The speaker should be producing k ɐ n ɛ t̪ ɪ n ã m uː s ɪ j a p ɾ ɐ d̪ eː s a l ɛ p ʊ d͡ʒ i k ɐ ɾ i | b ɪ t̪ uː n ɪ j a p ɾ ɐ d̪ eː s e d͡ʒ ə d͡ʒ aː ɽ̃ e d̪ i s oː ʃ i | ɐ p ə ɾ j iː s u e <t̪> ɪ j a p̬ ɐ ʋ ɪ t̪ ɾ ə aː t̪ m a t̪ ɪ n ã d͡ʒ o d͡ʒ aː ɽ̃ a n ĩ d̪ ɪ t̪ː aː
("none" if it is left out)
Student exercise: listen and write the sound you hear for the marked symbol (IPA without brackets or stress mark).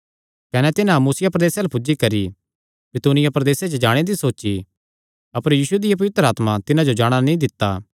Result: d̪